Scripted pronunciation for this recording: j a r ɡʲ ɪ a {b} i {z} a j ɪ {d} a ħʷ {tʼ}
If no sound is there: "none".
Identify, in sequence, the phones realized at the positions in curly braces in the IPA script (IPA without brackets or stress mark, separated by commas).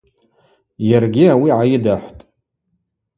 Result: w, ʕ, d, tʼ